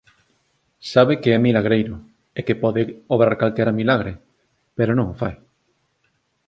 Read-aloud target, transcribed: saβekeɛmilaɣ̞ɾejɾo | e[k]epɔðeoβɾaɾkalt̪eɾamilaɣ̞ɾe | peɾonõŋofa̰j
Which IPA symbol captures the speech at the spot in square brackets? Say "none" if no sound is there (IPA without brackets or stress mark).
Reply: k